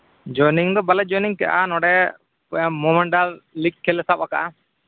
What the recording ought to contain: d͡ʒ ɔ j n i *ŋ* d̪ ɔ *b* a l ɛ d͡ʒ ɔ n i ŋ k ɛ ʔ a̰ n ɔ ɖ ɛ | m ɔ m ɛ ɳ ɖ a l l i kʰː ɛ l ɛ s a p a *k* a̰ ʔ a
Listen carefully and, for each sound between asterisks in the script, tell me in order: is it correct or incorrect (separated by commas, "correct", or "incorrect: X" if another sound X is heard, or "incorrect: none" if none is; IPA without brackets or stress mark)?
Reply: correct, correct, correct